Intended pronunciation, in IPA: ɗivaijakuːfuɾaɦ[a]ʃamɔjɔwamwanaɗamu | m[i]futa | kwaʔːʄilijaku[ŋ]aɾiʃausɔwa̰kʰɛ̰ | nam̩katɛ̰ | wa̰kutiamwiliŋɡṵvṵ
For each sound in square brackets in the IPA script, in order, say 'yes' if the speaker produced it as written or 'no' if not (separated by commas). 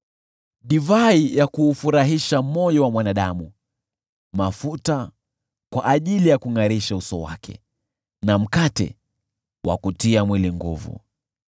no, no, yes